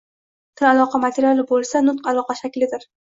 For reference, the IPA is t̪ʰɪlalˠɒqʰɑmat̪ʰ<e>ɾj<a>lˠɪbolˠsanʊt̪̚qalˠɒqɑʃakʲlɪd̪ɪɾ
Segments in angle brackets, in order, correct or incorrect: correct, correct

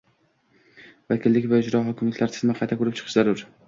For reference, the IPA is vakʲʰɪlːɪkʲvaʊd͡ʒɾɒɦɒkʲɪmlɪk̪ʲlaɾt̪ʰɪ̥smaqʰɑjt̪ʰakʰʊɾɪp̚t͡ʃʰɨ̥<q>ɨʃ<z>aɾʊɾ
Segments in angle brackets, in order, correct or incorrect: incorrect, correct

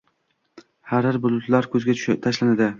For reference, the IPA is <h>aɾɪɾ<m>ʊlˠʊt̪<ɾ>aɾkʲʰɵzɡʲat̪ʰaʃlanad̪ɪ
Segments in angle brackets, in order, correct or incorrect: correct, incorrect, incorrect

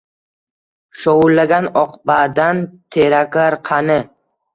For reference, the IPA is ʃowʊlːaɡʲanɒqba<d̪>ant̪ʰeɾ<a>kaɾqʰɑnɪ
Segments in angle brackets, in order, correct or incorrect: correct, correct

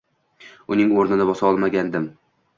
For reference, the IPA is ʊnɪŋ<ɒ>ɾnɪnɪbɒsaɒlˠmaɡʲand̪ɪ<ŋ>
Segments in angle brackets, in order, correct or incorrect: incorrect, incorrect

